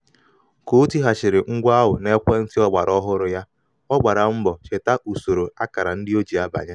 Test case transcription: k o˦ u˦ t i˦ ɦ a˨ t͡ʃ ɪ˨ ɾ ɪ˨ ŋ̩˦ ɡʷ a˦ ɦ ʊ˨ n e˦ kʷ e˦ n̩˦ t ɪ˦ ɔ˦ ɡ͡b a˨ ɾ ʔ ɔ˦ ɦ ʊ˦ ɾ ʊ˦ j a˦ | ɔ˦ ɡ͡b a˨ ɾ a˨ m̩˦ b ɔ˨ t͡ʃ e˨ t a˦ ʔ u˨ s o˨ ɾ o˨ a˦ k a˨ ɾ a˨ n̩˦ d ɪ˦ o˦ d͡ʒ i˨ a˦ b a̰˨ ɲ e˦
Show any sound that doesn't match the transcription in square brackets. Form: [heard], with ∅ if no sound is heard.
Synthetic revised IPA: k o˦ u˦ t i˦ ɦ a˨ t͡ʃ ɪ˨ ɾ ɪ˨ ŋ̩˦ ɡʷ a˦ ɦ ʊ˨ n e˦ kʷ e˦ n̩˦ t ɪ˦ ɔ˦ ɡ͡b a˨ ɾ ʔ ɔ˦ ɦ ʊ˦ ɾ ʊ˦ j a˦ | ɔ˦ ɡ͡b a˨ ɾ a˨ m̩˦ b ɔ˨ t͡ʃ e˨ t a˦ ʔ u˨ s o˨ ɾ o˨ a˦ k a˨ ɾ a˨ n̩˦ d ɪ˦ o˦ d͡ʒ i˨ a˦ b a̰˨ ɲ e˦

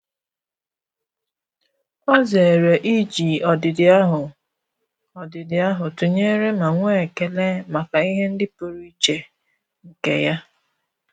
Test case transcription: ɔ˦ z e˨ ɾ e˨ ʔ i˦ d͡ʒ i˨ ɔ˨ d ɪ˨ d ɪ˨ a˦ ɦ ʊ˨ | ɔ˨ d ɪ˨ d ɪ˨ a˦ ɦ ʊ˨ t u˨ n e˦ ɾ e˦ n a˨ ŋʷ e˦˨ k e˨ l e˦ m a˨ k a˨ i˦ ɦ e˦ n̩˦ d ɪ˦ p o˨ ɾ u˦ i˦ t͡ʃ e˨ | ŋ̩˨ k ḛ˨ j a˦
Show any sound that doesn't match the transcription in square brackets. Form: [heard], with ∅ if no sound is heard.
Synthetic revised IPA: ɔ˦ z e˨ ɾ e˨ ʔ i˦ d͡ʒ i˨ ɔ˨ d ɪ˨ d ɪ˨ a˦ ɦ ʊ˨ | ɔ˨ d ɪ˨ d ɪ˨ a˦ ɦ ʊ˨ t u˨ [ɲ] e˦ ɾ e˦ [m] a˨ ŋʷ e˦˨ k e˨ l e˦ m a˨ k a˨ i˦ ɦ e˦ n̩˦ d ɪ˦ p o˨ ɾ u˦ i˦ t͡ʃ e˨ | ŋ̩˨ k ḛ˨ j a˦

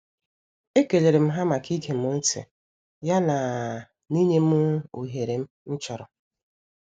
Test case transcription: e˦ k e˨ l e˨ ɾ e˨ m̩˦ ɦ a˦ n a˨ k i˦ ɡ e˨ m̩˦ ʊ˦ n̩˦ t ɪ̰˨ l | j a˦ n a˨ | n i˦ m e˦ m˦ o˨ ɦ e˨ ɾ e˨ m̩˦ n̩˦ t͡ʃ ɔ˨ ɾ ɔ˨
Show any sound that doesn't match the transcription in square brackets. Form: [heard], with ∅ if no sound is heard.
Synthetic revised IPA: e˦ k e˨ l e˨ ɾ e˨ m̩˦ ɦ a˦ [m] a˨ k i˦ ɡ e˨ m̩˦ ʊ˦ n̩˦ t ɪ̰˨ [∅] | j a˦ n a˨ | n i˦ [ɲ] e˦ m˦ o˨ ɦ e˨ ɾ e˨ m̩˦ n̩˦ t͡ʃ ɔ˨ ɾ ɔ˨

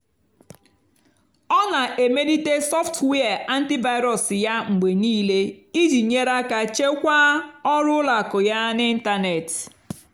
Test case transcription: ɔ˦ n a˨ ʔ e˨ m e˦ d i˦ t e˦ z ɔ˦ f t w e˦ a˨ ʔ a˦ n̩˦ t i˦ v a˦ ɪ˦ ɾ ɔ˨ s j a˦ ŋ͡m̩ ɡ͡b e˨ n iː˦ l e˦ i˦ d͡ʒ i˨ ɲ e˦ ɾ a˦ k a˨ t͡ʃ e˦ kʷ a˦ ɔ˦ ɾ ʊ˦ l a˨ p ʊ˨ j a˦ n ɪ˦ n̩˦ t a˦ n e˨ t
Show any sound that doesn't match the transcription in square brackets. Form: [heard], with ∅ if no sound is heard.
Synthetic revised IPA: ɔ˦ n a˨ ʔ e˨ m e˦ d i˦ t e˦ [s] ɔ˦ f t w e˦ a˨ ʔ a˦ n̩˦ t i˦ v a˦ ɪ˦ ɾ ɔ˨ s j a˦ ŋ͡m̩ ɡ͡b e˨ n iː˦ l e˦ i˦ d͡ʒ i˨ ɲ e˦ ɾ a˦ k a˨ t͡ʃ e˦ kʷ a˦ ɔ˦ ɾ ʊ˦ l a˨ [k] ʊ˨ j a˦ n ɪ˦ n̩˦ t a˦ n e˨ t

